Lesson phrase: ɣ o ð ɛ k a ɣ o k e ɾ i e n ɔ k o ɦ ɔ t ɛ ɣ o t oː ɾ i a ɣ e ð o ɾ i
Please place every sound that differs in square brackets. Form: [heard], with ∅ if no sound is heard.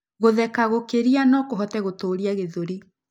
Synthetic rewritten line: ɣ o ð ɛ k a ɣ o k e ɾ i [a] n ɔ k o ɦ ɔ t ɛ ɣ o t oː ɾ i a ɣ e ð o ɾ i